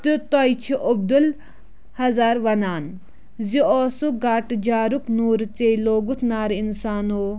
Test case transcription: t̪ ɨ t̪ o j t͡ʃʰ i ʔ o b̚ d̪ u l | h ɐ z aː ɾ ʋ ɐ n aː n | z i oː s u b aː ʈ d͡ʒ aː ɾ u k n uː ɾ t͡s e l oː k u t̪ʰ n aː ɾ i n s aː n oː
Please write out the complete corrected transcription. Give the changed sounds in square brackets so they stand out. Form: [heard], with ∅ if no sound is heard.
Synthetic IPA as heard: t̪ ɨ t̪ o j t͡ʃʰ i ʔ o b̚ d̪ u l | h ɐ z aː ɾ ʋ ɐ n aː n | z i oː s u [ɡ] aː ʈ d͡ʒ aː ɾ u k n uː ɾ t͡s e l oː [ɡ] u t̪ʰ n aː ɾ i n s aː n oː